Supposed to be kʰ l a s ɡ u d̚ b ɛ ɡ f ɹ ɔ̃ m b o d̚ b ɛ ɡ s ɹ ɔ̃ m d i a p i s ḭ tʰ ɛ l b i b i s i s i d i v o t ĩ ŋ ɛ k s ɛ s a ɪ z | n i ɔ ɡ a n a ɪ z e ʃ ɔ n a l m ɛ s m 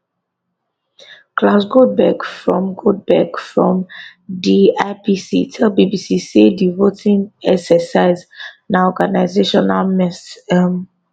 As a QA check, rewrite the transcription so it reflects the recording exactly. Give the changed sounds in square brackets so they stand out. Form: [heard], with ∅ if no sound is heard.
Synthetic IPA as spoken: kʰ l a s ɡ [o] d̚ b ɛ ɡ f ɹ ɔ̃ m [ɡ] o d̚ b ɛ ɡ [f] ɹ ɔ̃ m d i a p i s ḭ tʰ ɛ l b i b i s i s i d i v o t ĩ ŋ ɛ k s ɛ s a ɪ z | n [a] ɔ ɡ a n a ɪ z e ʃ ɔ n a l m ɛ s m